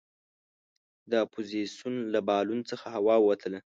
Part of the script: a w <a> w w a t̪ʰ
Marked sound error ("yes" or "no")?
yes